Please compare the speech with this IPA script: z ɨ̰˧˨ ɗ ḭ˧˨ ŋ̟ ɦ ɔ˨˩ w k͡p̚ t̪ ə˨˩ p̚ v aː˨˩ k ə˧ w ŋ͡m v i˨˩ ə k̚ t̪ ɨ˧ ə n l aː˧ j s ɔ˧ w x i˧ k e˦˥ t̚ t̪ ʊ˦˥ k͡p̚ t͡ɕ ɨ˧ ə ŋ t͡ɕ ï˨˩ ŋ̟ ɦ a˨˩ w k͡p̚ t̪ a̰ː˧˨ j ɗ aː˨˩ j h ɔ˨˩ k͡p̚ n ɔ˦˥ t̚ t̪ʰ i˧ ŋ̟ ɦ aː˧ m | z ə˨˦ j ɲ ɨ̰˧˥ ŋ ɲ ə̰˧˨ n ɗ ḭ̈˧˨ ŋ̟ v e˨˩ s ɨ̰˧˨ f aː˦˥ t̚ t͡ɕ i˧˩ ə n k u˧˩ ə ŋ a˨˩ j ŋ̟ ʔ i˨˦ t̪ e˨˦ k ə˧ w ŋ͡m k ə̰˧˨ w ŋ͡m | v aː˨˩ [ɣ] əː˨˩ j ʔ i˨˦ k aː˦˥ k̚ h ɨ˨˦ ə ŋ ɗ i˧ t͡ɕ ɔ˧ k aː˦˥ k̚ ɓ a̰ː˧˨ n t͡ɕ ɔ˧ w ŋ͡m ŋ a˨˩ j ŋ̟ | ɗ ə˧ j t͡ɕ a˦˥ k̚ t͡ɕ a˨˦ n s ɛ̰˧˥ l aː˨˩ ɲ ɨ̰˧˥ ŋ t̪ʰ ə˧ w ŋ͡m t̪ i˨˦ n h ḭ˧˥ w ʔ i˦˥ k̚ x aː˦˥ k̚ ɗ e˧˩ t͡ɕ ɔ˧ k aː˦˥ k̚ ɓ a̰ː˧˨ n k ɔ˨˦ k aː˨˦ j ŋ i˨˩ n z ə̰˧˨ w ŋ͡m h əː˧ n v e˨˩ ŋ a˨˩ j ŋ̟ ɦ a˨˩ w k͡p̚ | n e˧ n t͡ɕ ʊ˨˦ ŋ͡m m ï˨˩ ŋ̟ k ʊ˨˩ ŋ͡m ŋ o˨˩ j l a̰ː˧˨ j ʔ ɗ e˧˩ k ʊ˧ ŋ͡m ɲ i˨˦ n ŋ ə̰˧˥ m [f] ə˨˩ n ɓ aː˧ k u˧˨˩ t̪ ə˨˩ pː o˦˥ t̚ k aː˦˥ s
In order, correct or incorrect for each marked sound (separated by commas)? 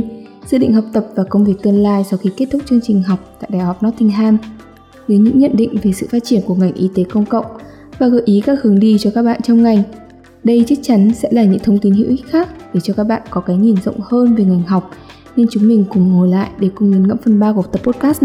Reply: correct, correct